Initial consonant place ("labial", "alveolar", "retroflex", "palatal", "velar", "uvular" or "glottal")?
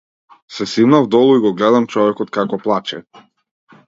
alveolar